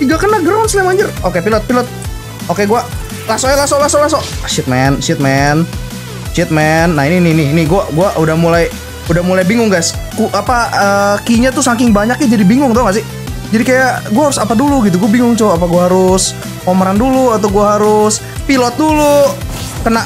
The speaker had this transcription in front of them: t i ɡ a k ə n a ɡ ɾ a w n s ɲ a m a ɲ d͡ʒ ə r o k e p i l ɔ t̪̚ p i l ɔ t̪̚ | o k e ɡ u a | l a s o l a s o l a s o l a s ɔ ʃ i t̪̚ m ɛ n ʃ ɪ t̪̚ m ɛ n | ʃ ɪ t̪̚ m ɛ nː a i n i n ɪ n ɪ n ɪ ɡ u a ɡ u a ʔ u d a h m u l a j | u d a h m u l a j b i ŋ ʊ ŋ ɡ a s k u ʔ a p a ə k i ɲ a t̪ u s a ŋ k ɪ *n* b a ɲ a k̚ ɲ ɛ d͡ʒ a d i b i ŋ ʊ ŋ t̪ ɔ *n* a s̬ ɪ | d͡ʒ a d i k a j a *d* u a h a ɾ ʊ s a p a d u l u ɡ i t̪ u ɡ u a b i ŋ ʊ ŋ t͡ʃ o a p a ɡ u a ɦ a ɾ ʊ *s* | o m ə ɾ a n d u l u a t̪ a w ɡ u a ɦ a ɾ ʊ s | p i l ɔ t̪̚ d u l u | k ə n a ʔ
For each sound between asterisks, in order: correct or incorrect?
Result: incorrect, incorrect, incorrect, correct

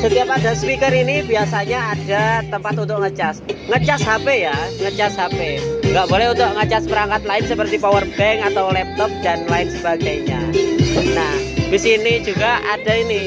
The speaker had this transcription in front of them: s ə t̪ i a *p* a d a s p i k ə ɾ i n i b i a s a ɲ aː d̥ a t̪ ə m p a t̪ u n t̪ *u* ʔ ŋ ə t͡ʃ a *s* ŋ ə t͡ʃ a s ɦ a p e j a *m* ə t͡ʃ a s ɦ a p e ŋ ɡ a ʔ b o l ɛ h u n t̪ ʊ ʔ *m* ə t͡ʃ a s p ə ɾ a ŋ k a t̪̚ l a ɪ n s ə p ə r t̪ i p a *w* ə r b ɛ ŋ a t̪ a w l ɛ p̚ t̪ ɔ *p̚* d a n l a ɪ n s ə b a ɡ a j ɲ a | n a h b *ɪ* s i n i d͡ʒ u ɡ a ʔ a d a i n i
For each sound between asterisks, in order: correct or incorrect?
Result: correct, incorrect, correct, incorrect, incorrect, correct, correct, incorrect

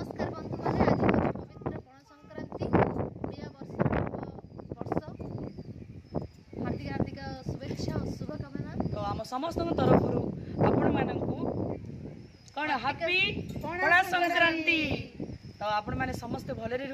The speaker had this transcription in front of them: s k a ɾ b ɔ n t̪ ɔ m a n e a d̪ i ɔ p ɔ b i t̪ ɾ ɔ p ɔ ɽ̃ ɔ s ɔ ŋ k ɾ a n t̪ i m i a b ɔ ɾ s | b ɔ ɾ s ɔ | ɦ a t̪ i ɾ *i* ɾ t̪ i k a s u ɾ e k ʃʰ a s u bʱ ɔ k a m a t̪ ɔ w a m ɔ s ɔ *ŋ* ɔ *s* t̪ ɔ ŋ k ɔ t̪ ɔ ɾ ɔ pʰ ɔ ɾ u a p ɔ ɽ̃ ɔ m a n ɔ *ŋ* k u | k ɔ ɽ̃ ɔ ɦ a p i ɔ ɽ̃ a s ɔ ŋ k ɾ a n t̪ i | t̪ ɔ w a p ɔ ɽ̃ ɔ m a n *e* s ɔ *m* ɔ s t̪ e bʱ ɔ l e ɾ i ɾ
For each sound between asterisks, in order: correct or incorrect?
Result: incorrect, incorrect, correct, correct, correct, correct

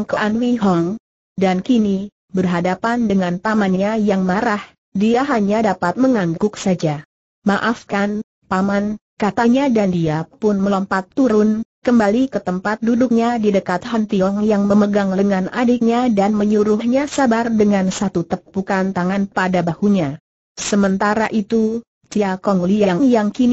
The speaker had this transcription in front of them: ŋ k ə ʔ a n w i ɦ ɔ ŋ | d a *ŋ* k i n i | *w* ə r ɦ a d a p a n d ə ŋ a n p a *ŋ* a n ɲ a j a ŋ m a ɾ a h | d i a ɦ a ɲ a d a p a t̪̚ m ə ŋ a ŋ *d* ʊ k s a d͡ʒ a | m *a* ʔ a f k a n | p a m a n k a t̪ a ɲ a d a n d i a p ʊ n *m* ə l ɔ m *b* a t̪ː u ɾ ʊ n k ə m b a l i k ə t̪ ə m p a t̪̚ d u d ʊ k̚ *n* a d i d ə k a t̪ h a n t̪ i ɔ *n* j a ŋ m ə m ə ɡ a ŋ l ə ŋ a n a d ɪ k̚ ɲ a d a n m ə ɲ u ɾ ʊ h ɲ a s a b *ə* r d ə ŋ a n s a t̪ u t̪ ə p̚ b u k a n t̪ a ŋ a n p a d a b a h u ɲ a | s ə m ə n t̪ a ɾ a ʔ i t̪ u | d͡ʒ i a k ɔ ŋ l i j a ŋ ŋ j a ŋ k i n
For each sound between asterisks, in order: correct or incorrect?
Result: incorrect, incorrect, incorrect, incorrect, correct, correct, incorrect, incorrect, incorrect, incorrect

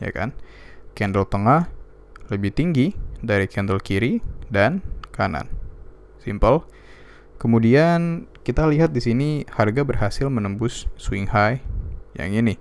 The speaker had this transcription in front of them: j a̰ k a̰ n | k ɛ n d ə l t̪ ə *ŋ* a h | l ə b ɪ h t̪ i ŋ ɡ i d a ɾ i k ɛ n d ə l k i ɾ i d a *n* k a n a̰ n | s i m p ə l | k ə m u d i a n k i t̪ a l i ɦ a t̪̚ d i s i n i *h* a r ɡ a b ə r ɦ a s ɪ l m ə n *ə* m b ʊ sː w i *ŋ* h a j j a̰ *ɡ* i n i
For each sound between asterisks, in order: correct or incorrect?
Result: correct, correct, correct, correct, correct, incorrect

